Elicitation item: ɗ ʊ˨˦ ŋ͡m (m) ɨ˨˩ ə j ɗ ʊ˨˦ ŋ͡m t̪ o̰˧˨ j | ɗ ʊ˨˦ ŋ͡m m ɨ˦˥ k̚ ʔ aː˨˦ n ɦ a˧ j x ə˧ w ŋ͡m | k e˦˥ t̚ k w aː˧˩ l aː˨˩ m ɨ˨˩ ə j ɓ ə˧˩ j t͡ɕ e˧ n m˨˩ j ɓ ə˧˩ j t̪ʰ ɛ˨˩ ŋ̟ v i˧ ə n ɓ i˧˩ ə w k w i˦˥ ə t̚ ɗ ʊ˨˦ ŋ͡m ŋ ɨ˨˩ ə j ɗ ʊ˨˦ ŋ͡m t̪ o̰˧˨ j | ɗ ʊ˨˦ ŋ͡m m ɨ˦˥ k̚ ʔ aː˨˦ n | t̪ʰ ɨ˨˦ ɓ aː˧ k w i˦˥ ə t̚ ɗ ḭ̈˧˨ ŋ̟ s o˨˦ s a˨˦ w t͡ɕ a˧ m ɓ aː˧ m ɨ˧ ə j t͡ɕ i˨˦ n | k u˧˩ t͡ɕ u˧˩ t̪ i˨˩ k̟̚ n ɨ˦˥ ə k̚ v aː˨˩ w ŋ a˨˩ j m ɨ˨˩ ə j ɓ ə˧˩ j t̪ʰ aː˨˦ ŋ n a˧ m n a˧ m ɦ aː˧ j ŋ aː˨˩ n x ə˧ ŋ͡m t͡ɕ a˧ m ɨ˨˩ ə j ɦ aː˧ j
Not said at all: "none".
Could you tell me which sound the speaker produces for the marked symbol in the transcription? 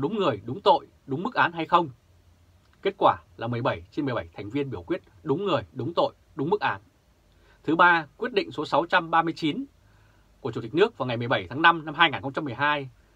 ŋ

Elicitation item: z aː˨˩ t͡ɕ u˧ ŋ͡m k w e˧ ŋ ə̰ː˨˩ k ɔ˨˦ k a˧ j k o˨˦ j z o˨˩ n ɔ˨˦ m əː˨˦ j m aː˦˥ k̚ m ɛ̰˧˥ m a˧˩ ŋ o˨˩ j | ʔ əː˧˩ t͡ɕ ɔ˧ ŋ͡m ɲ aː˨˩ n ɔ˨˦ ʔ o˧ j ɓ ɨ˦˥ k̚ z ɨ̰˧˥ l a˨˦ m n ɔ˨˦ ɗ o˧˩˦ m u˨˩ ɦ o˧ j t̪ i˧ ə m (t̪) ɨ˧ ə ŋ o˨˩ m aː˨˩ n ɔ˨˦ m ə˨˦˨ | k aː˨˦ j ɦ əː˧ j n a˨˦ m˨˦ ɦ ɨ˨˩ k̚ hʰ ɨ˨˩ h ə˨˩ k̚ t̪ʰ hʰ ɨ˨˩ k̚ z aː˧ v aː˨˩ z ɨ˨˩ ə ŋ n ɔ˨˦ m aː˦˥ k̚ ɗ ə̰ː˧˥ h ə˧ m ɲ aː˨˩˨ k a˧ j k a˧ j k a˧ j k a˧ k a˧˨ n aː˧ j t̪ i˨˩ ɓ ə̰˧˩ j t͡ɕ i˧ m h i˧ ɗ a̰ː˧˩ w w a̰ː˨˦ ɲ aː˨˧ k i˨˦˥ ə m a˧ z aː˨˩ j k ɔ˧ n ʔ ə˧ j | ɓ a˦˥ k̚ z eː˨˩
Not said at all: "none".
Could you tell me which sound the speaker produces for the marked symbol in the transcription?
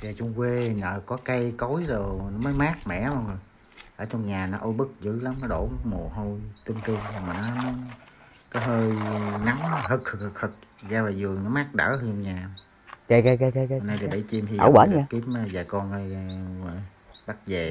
t̪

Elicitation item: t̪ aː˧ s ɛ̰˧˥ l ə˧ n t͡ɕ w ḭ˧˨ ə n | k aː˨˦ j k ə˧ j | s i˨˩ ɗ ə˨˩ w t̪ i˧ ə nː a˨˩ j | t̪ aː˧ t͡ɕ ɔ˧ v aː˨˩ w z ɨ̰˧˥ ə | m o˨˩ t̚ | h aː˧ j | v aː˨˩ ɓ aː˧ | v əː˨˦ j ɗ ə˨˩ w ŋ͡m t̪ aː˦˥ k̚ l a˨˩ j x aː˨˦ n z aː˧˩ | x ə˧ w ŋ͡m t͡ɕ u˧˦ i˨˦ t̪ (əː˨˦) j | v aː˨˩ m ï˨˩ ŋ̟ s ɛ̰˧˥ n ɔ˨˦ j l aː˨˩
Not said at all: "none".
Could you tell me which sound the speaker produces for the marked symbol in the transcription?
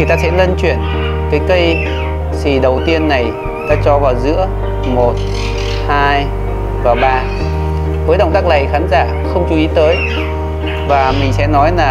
əː˨˦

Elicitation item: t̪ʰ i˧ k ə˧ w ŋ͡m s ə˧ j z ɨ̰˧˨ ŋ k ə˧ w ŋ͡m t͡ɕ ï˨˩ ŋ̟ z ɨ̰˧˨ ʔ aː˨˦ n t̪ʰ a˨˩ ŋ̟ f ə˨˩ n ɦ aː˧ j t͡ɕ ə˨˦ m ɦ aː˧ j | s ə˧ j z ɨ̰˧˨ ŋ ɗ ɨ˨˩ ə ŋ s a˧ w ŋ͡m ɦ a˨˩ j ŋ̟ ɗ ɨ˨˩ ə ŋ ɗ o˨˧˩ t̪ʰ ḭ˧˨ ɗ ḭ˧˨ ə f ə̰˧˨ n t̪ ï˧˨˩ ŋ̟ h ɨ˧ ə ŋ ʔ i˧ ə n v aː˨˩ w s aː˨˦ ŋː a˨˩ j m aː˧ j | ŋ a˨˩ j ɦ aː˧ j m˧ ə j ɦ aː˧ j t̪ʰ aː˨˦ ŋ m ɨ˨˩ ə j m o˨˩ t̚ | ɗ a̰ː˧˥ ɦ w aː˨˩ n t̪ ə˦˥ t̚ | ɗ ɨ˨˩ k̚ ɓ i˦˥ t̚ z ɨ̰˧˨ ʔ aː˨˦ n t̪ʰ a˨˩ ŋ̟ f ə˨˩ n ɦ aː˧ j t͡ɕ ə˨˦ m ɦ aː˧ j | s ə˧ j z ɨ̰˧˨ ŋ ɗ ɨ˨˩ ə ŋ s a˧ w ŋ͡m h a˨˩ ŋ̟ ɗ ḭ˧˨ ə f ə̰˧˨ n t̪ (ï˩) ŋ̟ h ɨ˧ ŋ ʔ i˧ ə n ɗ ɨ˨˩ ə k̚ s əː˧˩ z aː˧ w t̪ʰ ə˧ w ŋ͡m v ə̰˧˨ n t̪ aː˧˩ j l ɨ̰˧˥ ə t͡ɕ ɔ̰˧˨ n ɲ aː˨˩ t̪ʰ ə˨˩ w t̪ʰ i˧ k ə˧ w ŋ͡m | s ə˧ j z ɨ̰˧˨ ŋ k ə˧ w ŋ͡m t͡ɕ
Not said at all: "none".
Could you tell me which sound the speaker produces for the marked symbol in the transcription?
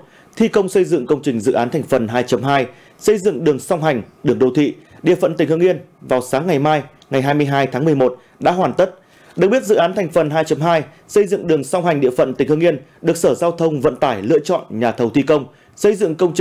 ï˩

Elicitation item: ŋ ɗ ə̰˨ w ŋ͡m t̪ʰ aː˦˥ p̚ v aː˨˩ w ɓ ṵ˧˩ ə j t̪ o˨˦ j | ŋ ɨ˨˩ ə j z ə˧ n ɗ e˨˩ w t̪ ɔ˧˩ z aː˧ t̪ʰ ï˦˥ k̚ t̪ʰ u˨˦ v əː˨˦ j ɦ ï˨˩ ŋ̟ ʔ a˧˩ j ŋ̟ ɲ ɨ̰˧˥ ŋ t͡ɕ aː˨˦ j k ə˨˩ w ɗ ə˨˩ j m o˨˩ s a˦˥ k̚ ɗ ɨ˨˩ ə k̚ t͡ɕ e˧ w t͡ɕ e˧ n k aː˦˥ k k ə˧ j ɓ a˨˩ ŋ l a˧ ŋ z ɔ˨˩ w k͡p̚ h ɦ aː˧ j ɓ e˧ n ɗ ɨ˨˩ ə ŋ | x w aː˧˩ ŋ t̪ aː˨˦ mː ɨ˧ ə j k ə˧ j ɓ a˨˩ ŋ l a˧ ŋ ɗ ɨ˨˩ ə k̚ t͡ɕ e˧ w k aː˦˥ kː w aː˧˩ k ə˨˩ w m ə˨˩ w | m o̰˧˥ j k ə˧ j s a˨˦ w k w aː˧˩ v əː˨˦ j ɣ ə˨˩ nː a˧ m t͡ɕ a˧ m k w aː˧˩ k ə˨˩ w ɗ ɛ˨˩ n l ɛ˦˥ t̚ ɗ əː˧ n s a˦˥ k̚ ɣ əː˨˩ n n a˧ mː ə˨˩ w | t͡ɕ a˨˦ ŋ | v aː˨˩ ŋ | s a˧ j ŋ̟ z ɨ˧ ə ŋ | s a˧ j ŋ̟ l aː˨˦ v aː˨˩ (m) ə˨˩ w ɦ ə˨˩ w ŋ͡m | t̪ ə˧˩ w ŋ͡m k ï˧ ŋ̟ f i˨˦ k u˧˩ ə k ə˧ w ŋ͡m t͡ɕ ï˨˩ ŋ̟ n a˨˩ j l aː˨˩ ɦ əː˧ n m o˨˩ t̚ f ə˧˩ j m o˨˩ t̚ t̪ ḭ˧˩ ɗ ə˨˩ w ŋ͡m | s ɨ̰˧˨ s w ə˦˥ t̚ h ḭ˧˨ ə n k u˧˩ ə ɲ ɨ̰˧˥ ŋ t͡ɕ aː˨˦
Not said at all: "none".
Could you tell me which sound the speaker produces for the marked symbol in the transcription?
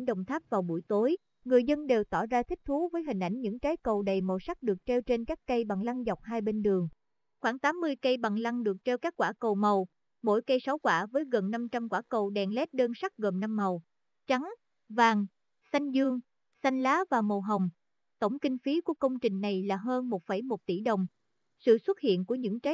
m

